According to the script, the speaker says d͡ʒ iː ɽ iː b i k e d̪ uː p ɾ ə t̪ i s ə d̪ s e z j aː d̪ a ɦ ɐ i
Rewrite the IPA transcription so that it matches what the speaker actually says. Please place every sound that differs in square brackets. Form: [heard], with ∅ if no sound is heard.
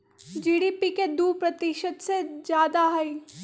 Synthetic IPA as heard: d͡ʒ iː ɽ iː [p] i k e d̪ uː p ɾ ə t̪ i [ʃ] ə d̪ s e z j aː d̪ a ɦ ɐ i